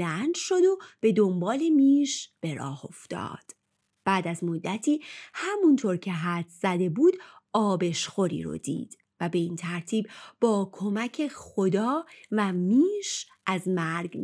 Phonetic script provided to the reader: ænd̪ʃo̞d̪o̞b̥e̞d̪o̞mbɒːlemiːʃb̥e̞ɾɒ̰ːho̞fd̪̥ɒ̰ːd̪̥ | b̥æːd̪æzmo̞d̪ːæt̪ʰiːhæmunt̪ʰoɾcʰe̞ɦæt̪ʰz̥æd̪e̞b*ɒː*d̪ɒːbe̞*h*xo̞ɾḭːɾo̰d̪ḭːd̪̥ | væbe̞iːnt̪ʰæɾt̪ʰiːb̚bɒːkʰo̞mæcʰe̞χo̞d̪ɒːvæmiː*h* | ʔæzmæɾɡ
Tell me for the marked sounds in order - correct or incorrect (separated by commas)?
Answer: incorrect, incorrect, incorrect